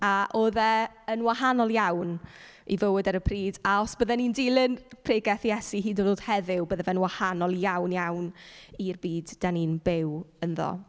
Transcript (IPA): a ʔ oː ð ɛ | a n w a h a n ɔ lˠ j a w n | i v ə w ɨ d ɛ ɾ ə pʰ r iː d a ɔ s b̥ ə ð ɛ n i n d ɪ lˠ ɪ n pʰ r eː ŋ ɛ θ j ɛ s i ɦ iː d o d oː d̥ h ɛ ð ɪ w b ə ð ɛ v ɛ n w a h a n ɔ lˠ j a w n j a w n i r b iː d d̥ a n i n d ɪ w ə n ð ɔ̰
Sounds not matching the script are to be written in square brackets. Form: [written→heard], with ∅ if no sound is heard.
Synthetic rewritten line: a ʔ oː ð ɛ | [a→ə] n w a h a n ɔ lˠ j a w n | i v ə w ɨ d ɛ ɾ ə pʰ r iː d a ɔ s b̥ ə ð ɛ n i n d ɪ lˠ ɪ n pʰ r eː [ŋ→ɡ] ɛ θ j ɛ s i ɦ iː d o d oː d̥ h ɛ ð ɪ w b ə ð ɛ v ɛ n w a h a n ɔ lˠ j a w n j a w n i r b iː d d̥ a n i n [d→b] ɪ w ə n ð ɔ̰